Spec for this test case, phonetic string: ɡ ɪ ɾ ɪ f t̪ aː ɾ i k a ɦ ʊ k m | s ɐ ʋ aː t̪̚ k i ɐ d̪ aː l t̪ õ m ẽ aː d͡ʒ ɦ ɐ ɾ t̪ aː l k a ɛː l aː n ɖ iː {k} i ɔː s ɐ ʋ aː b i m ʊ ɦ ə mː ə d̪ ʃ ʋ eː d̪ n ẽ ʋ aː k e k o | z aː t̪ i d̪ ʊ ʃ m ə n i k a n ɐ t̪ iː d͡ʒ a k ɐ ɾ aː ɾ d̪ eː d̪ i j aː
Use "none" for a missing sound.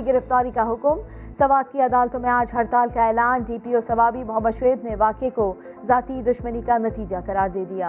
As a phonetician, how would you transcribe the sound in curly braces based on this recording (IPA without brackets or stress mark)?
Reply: p